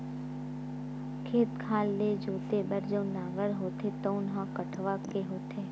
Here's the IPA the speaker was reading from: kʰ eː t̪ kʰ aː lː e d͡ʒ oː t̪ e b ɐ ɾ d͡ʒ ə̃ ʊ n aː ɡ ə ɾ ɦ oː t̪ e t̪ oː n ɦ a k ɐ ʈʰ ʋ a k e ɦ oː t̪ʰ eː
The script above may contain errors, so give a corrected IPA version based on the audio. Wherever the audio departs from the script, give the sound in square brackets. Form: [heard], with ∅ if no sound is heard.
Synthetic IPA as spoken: kʰ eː t̪ kʰ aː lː e d͡ʒ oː t̪ e b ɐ ɾ d͡ʒ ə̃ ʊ n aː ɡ ə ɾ ɦ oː t̪ e t̪ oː n ɦ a k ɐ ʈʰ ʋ a k e ɦ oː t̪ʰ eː